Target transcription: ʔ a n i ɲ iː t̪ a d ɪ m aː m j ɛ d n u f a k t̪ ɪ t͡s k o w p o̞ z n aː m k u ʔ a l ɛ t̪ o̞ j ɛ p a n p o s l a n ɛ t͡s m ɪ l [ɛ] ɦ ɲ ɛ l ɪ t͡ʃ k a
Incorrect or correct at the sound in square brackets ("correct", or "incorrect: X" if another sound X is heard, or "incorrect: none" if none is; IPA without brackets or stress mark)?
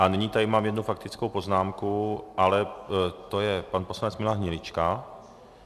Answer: incorrect: a